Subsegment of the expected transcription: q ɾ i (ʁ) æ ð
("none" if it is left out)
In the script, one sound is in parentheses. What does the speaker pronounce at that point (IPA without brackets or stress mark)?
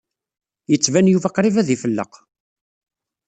v